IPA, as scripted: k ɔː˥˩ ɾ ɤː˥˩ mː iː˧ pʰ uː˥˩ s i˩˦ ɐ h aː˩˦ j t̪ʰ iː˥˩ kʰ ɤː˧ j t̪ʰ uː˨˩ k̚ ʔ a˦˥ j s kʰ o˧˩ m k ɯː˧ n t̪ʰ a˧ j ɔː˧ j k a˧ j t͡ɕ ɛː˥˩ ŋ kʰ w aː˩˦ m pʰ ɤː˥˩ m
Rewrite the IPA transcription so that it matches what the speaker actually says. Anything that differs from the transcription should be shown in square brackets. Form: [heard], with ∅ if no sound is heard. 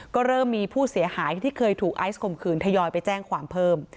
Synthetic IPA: k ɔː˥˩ ɾ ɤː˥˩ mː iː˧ pʰ uː˥˩ s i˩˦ ɐ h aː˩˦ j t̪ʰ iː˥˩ kʰ ɤː˧ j t̪ʰ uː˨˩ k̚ ʔ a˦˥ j s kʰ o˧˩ m [kʰ] ɯː˧ n t̪ʰ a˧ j ɔː˧ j [p] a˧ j t͡ɕ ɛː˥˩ ŋ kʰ w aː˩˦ m pʰ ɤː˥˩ m